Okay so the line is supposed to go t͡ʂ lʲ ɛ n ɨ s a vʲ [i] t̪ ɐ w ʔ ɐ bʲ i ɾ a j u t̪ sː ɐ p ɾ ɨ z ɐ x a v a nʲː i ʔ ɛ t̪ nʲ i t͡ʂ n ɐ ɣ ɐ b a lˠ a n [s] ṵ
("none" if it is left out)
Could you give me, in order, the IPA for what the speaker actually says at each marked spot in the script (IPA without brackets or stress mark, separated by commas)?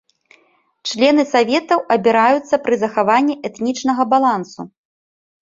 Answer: ɛ, s